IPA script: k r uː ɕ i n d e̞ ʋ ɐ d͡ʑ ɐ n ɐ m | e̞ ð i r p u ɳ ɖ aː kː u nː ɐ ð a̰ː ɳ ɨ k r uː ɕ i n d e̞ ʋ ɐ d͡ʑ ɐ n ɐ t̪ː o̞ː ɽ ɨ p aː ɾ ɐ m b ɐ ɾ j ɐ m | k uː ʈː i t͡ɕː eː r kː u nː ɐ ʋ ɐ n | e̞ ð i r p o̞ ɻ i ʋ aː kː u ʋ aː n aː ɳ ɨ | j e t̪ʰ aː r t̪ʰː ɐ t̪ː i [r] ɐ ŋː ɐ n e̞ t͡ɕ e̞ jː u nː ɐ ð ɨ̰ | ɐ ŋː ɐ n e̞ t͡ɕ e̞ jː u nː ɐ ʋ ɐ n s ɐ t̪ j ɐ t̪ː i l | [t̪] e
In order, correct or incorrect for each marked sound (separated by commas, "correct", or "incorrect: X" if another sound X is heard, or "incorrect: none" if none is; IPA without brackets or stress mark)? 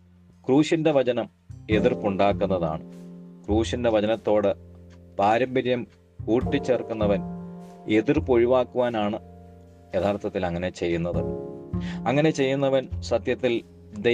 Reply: incorrect: l, incorrect: d̪